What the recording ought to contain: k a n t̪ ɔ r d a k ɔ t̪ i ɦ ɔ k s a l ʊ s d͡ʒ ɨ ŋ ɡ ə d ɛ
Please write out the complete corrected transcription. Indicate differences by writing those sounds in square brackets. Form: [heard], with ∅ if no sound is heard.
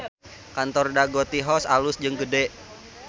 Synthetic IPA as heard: k a n t̪ ɔ r d a [ɡ] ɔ t̪ i ɦ ɔ [∅] s a l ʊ s d͡ʒ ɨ ŋ ɡ ə d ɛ

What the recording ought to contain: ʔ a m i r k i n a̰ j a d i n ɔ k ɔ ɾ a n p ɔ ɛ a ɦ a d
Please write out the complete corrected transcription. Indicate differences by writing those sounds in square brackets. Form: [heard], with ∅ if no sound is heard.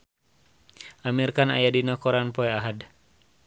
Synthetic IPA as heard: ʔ a m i r k [a] n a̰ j a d i n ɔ k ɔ ɾ a n p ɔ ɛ a ɦ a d

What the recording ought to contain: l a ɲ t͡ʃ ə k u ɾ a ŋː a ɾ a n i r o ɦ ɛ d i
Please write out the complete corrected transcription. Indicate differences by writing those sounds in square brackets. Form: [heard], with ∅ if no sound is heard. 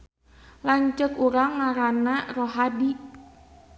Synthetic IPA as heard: l a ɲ t͡ʃ ə k u ɾ a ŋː a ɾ a n [a] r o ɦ [a] d i

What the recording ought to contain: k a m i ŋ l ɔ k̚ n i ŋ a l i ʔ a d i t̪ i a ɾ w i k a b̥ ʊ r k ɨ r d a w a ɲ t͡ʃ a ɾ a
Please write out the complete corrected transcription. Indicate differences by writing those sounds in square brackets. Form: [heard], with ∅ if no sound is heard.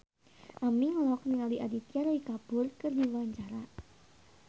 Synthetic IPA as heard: [ʔ] a m i ŋ l ɔ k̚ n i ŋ a l i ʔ a d i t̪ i a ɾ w i k a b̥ ʊ r k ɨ r d [i] w a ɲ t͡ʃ a ɾ a

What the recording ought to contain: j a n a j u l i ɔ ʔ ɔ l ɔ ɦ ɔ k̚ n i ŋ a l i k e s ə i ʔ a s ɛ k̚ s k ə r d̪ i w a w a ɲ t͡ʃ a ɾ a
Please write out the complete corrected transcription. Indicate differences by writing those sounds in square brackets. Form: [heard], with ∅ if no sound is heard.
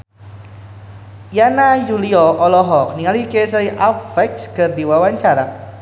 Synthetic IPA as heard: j a n a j u l i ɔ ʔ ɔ l ɔ ɦ ɔ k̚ n i ŋ a l i k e s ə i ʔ a [f] ɛ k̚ s k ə r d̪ i w a w a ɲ t͡ʃ a ɾ a

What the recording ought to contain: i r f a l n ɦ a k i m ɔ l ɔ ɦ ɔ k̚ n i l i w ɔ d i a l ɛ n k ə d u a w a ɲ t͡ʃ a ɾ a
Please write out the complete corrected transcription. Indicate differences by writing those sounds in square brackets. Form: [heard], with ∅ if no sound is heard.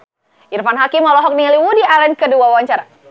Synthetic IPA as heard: i r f a [∅] n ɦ a k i m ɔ l ɔ ɦ ɔ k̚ n i l i w [u] d i a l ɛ n k ə d u a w a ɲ t͡ʃ a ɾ a

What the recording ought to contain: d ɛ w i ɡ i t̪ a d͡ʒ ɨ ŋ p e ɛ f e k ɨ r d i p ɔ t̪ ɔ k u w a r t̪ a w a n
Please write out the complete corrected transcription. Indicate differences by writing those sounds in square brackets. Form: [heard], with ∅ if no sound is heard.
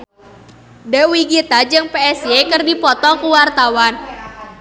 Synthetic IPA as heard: d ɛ w i ɡ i t̪ a d͡ʒ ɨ ŋ p e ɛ [s] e k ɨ r d i p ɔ t̪ ɔ k u w a r t̪ a w a n

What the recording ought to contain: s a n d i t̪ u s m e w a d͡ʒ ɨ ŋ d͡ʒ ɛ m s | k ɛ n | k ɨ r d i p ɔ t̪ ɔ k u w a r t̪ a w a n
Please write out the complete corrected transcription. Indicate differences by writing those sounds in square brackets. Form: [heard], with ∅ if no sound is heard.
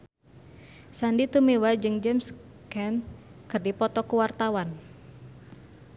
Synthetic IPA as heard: s a n d i t̪ u [∅] m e w a d͡ʒ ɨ ŋ d͡ʒ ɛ m s | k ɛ n | k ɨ r d i p ɔ t̪ ɔ k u w a r t̪ a w a n

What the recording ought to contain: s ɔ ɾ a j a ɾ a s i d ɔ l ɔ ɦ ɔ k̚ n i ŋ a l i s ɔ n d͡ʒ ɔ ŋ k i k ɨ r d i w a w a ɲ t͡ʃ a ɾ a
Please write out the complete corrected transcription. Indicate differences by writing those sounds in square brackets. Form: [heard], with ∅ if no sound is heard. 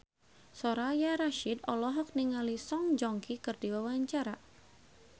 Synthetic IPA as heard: s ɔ ɾ a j a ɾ a [ʃ] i d ɔ l ɔ ɦ ɔ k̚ n i ŋ a l i s ɔ [ŋ] d͡ʒ ɔ ŋ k i k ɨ r d i w a w a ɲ t͡ʃ a ɾ a

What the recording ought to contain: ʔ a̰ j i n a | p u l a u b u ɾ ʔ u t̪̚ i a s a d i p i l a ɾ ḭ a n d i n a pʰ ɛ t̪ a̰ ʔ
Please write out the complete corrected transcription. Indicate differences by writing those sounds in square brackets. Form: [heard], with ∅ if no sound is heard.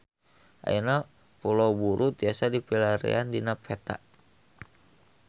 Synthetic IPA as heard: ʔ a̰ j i n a | p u l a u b u ɾ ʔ u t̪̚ i a s a d i p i l a ɾ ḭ a n d i n a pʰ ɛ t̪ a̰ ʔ

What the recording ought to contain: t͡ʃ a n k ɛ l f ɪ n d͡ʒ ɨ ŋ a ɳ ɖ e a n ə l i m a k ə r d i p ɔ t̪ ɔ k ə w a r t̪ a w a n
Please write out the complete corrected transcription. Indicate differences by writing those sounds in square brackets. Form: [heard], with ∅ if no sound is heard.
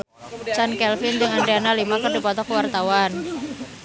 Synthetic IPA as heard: t͡ʃ a n k ɛ l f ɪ n d͡ʒ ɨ ŋ a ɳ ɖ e a n [a] l i m a k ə r d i p ɔ t̪ ɔ k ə w a r t̪ a w a n

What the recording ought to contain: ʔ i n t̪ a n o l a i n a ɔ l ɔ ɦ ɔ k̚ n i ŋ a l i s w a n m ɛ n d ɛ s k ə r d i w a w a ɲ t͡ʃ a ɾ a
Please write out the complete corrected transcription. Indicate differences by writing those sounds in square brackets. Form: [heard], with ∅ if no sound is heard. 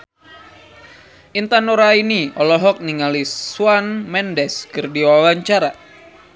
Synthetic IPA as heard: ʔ i n t̪ a n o [ɾ] a i n [i] ɔ l ɔ ɦ ɔ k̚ n i ŋ a l i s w a n m ɛ n d ɛ s k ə r d i w a w a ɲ t͡ʃ a ɾ a

